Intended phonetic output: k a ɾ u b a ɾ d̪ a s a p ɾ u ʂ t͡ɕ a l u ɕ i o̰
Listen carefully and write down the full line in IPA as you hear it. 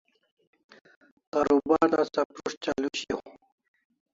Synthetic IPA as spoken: k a ɾ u b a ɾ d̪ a s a p ɾ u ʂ t͡ɕ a l u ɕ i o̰